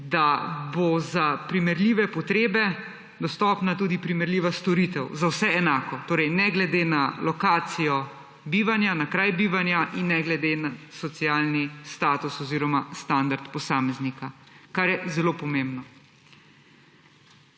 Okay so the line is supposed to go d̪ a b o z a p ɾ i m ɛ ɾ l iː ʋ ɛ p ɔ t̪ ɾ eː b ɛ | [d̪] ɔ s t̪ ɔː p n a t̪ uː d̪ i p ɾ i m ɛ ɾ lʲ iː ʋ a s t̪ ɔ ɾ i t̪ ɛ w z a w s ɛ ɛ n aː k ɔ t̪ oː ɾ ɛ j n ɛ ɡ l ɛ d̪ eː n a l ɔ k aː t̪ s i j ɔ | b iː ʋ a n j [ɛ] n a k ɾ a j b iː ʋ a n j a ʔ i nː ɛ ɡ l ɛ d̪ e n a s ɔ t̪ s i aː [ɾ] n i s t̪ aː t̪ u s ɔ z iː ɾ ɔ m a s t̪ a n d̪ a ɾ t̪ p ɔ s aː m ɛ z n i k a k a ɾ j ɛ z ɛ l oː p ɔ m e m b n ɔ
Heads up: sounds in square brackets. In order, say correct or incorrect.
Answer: correct, incorrect: a, incorrect: l

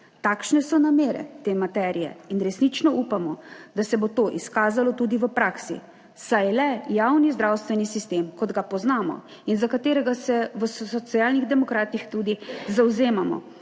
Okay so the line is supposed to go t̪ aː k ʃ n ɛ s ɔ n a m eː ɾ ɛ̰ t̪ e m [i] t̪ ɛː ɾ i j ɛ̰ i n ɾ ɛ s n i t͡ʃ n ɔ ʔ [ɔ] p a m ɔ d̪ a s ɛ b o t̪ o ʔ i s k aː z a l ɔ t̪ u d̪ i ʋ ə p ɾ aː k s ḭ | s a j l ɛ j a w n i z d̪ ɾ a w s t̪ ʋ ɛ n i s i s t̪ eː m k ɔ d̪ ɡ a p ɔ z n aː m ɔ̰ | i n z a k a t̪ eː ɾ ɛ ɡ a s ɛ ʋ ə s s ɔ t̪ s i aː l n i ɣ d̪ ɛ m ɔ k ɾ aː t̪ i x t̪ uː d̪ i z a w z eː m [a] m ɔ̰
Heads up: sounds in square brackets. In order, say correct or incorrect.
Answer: incorrect: a, incorrect: u, correct

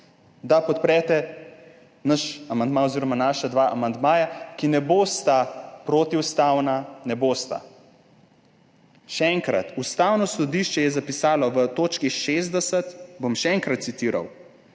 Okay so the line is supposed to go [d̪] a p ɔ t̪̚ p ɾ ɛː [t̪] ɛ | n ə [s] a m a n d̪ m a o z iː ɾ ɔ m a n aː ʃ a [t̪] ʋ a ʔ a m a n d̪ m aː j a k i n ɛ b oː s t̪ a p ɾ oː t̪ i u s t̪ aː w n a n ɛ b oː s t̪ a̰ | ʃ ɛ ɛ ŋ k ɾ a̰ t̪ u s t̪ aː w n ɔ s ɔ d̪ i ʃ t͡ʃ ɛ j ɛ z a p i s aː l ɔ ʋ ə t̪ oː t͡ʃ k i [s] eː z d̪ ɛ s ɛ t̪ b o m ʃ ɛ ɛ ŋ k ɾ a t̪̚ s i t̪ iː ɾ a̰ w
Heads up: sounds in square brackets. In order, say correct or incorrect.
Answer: correct, correct, incorrect: ʃ, incorrect: d̪, incorrect: ʃ

